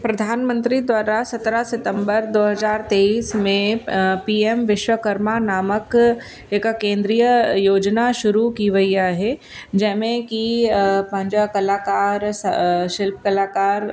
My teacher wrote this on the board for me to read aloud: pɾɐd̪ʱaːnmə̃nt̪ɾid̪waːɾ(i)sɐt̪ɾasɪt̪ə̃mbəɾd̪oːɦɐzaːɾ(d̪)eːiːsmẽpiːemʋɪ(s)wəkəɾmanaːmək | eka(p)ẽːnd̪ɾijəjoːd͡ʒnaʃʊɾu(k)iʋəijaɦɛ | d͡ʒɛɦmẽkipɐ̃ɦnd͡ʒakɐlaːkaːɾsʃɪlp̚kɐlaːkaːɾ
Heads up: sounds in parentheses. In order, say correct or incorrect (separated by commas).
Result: incorrect, incorrect, incorrect, incorrect, correct